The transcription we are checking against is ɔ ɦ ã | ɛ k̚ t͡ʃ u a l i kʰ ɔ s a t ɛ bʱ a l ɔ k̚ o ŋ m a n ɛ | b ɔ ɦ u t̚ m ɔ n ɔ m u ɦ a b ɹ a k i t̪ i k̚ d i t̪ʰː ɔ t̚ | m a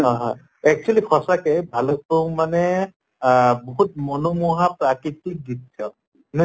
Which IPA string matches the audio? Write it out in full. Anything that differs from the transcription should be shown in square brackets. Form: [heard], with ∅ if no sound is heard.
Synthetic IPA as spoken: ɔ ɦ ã | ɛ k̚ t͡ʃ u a l i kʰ ɔ s a [k] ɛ bʱ a l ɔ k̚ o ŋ m a n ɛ | b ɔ ɦ u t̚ m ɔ n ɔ m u ɦ a [p] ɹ a k i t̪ i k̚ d i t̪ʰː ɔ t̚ | [n] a